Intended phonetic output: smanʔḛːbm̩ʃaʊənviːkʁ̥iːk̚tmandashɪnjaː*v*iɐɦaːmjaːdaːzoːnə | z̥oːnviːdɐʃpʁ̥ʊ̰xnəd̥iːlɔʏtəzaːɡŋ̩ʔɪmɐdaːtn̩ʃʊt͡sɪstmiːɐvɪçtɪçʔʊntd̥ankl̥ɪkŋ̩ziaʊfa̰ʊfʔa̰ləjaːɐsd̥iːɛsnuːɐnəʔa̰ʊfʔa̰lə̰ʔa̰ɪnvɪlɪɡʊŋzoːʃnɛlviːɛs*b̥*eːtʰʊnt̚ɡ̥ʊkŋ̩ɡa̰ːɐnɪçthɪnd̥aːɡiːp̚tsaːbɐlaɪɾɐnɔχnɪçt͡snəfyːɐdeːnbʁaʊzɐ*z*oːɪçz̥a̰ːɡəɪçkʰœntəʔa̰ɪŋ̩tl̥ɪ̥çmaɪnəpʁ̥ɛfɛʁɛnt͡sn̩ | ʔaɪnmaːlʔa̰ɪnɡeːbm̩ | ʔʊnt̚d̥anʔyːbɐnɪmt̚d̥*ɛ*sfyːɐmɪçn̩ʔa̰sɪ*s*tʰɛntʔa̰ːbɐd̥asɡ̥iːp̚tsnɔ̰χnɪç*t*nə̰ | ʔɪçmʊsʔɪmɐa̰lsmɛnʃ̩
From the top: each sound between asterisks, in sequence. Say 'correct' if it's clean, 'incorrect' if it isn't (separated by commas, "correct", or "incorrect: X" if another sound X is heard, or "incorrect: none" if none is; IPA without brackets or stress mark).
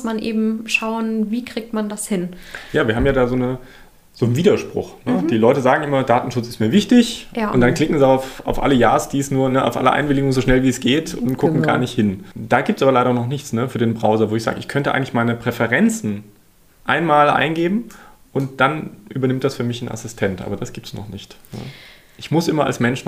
correct, incorrect: ɡ̥, incorrect: v, incorrect: a, correct, correct